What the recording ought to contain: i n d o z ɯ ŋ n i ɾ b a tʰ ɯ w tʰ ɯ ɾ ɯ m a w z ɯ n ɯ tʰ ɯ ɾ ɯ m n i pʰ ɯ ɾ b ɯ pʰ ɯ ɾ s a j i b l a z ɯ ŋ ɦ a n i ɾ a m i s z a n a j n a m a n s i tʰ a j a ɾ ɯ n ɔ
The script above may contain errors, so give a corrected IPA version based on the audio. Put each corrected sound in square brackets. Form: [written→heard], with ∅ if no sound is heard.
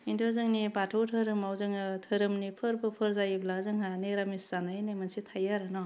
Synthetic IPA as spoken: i n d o z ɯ ŋ n i [ɾ→∅] b a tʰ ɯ w tʰ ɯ ɾ ɯ m a w z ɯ [n→ŋ] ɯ tʰ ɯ ɾ ɯ m n i pʰ ɯ ɾ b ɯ pʰ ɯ ɾ [s→z] a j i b l a z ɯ ŋ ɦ a n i ɾ a m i s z a n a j n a m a n s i tʰ a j a ɾ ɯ n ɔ